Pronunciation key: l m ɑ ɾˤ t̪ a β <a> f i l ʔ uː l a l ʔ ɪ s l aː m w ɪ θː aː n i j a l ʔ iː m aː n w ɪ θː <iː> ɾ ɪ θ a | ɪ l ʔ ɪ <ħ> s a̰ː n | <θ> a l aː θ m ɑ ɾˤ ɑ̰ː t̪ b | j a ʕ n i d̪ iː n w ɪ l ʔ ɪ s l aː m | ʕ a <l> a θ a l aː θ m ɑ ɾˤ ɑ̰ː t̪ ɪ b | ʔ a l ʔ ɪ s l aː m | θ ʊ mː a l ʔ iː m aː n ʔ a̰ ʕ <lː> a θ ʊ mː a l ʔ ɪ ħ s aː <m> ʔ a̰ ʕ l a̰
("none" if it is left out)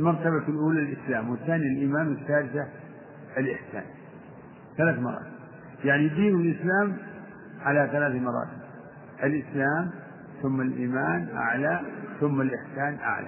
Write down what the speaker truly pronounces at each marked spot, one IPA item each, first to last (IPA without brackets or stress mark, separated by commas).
a, aː, ħ, θ, l, l, n